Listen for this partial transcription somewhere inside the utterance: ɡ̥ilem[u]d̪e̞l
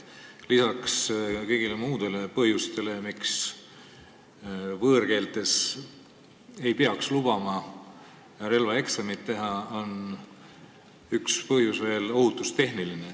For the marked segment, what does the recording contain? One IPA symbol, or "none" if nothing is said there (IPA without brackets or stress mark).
uː